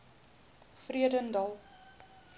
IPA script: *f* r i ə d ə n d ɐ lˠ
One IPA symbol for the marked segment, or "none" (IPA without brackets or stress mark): f